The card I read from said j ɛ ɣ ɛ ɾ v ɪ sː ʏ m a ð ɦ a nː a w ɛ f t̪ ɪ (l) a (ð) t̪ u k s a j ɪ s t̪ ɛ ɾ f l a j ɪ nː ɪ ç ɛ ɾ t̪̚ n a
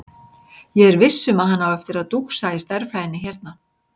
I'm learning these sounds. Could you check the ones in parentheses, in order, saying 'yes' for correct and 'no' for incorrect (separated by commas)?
no, yes